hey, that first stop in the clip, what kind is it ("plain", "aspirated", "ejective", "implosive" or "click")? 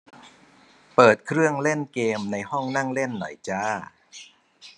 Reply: plain